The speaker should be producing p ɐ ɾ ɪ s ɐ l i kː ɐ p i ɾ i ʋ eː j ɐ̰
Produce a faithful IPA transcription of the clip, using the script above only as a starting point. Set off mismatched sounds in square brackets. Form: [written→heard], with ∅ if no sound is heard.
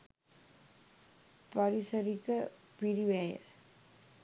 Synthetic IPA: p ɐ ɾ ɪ s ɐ [l→ɾ] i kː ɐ p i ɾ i ʋ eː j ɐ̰